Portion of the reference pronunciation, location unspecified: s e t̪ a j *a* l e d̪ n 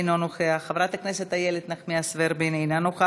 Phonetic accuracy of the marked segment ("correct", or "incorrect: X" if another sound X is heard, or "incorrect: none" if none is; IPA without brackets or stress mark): incorrect: e